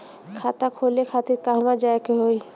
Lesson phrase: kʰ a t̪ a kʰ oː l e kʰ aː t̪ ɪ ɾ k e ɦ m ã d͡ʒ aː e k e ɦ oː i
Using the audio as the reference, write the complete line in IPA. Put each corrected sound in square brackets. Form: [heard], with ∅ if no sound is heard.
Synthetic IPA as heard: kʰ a t̪ a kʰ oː l e kʰ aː t̪ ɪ ɾ k [a] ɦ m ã d͡ʒ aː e k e ɦ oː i